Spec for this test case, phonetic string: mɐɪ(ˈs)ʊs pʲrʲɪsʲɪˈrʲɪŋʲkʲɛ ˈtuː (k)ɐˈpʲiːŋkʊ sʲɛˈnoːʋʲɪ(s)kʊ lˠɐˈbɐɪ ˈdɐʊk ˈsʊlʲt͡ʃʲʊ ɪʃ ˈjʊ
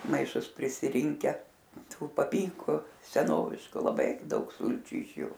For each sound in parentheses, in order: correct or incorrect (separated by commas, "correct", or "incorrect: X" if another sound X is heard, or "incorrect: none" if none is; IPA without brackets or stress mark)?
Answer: incorrect: ʃ, incorrect: p, incorrect: ʃ